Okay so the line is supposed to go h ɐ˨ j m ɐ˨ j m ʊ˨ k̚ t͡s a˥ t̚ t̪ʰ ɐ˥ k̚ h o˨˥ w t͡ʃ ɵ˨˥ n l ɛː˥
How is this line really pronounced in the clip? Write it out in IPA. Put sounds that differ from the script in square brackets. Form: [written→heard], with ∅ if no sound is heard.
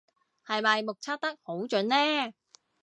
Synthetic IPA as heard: h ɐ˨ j m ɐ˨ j m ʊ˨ k̚ [t͡s→t͡sʰ] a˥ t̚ [t̪ʰ→t̪] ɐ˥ k̚ h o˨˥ w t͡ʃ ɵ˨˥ n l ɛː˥